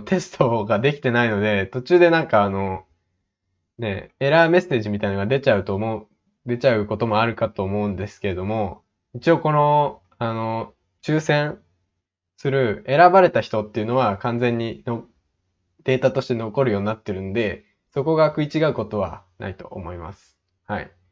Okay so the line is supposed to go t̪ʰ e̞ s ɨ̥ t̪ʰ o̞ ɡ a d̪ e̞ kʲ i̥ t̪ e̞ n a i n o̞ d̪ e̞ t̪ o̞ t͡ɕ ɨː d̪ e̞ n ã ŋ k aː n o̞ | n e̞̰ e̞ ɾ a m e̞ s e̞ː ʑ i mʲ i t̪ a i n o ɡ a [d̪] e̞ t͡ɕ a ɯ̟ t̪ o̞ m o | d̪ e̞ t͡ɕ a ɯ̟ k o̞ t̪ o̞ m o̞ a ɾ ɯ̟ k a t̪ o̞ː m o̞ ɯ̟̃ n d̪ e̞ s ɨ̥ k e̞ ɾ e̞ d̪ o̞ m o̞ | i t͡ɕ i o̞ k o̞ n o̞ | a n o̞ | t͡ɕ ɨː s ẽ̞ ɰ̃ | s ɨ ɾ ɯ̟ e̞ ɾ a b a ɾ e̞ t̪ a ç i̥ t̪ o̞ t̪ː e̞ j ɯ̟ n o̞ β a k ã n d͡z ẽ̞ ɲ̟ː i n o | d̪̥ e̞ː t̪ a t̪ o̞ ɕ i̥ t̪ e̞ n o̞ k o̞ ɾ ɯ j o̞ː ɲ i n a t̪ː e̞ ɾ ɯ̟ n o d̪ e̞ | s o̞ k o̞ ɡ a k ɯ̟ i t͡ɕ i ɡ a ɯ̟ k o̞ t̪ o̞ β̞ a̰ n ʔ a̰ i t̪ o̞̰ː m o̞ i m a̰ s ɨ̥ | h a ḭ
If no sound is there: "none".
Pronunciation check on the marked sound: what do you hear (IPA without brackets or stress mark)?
d̪